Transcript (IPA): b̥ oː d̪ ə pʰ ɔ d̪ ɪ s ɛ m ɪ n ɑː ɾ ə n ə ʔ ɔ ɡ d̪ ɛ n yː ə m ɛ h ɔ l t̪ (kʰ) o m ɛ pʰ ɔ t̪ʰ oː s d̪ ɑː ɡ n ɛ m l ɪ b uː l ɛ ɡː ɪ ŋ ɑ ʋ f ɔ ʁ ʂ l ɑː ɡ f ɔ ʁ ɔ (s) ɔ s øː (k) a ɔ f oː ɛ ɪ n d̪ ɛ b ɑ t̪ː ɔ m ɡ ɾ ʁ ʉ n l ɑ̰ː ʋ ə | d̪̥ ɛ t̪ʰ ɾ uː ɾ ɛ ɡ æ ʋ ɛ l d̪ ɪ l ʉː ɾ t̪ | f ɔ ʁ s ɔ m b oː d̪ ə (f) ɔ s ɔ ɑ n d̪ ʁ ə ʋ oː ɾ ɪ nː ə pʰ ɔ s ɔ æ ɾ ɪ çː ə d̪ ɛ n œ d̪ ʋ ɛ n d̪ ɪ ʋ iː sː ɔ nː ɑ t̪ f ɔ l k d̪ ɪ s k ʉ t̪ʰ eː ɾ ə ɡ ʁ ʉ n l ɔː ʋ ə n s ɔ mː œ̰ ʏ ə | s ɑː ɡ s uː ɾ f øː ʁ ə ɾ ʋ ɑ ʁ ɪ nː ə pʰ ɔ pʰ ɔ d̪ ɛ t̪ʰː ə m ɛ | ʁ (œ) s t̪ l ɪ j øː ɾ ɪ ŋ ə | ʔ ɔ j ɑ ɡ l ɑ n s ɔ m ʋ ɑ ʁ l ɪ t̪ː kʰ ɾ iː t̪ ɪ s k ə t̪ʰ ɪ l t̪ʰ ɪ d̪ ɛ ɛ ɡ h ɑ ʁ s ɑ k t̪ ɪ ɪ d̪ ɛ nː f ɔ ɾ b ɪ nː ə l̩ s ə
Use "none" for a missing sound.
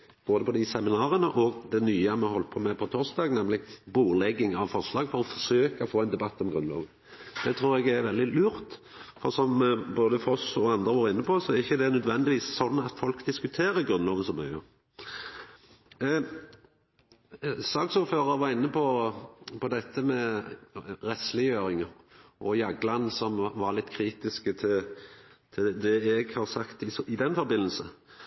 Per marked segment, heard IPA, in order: pʰ, f, k, f, ɛ

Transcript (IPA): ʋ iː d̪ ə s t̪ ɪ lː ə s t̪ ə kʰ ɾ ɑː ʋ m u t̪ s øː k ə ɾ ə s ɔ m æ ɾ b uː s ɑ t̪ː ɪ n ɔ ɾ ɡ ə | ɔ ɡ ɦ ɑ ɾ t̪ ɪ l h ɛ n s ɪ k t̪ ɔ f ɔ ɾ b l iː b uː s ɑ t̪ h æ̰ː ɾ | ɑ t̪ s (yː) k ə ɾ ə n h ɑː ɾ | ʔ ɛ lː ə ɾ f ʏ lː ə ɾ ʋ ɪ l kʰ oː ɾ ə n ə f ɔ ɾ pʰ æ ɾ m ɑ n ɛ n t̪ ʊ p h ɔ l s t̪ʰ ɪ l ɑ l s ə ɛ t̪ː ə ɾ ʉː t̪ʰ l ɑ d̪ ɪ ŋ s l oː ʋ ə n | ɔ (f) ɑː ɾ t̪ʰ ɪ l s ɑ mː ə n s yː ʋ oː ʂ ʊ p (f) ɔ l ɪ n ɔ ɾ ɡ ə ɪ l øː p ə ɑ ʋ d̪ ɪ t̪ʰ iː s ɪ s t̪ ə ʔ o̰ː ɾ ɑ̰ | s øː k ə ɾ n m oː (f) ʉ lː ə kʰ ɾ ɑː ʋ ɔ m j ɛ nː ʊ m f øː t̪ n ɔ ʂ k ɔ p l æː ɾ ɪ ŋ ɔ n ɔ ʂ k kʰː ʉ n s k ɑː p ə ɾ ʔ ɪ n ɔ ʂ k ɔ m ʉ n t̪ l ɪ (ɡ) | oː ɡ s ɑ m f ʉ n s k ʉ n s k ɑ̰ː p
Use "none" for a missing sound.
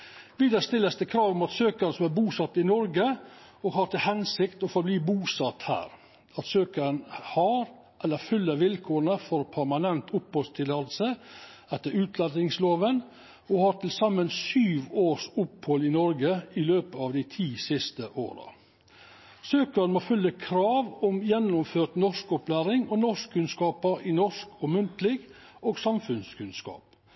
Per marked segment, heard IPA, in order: øː, h, h, f, ɡ

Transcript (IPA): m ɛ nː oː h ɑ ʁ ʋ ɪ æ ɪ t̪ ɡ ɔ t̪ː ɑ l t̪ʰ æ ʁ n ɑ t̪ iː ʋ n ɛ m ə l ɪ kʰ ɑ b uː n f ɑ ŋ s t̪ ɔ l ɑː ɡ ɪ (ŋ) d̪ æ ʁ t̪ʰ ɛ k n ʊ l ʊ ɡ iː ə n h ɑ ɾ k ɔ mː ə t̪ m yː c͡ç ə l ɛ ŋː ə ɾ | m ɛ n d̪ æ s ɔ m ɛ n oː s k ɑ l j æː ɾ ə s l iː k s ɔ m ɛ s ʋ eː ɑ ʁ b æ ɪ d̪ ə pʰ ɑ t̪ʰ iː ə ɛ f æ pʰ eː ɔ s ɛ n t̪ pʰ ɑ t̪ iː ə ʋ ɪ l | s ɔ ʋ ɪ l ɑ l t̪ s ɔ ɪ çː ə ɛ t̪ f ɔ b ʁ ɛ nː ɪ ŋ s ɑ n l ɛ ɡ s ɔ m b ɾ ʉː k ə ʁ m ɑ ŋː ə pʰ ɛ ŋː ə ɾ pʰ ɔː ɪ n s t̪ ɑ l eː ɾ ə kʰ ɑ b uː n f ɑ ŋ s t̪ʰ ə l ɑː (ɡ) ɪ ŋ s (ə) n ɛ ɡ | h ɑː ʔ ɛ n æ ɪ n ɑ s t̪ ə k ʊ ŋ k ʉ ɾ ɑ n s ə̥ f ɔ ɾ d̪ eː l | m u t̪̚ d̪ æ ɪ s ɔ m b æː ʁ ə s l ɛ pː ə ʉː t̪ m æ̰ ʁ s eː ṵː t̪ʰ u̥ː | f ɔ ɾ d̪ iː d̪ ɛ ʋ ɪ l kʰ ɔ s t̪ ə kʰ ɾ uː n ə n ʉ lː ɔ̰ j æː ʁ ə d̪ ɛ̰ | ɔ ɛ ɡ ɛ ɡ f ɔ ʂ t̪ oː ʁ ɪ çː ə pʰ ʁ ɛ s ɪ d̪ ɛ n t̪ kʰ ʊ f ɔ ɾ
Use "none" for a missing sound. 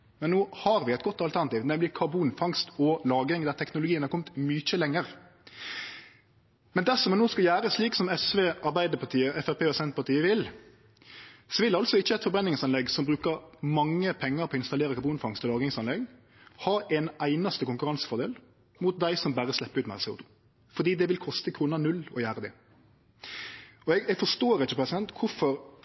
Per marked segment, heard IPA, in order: ŋ, ɡ, ɑ

